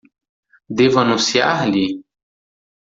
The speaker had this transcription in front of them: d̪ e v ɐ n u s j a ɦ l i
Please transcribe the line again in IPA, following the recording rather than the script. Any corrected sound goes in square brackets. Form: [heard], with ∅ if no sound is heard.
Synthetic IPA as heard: d̪ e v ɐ n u s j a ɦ l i